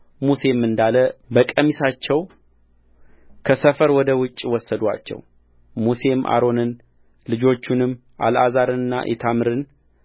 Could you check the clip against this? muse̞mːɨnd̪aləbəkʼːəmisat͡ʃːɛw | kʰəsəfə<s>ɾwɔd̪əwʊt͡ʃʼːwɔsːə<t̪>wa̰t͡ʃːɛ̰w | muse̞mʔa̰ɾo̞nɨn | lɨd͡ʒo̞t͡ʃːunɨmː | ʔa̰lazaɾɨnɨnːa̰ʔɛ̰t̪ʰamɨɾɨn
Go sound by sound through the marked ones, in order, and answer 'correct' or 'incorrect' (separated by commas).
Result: incorrect, incorrect